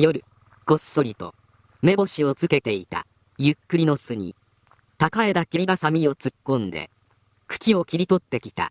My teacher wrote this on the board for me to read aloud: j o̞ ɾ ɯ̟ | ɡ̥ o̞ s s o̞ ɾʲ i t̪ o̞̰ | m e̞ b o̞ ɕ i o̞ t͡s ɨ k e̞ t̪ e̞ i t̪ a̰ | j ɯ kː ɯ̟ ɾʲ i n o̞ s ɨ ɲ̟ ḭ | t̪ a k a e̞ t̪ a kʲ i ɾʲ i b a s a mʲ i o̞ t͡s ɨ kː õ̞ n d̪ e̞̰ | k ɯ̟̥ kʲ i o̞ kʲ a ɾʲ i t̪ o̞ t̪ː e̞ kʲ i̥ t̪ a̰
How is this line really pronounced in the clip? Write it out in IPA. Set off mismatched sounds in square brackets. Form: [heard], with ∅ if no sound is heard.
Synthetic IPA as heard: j o̞ ɾ ɯ̟ | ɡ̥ o̞ s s o̞ ɾʲ i t̪ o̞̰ | m e̞ b o̞ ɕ i o̞ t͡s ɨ k e̞ t̪ e̞ i t̪ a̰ | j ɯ kː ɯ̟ ɾʲ i n o̞ s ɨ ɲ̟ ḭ | t̪ a k a e̞ [d̪] a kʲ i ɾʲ i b a s a mʲ i o̞ t͡s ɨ kː õ̞ n d̪ e̞̰ | k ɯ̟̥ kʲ i o̞ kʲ [i] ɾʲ i t̪ o̞ t̪ː e̞ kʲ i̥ t̪ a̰

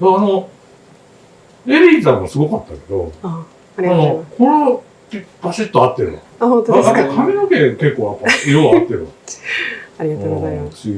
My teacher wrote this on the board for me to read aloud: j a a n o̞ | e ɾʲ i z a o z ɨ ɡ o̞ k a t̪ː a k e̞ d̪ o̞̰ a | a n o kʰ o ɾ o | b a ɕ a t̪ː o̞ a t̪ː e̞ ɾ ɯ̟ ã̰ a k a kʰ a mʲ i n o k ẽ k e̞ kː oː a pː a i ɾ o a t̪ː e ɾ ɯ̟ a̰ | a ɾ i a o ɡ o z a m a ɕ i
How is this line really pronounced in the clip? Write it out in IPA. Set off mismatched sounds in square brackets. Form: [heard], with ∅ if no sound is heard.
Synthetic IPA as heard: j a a n o̞ | e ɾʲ i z a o [s] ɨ ɡ o̞ k a t̪ː a k e̞ d̪ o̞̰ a | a n o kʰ o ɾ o | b a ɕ [i] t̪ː o̞ a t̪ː e̞ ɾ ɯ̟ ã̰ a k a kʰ a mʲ i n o k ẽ k e̞ kː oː a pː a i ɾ o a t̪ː e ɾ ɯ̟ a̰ | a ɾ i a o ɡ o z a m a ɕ i

